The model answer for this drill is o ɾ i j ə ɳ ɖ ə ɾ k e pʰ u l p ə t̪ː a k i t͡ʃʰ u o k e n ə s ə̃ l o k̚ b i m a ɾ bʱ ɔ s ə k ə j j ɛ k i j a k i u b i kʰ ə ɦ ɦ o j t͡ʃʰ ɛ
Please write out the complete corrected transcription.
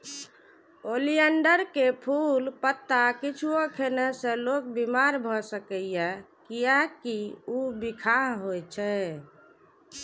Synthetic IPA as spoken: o l i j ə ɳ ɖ ə ɾ k e pʰ u l p ə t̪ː a k i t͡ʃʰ u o kʰ e n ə s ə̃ l o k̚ b i m a ɾ bʱ ɔ s ə k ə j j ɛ k i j a k i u b i kʰ a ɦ ɦ o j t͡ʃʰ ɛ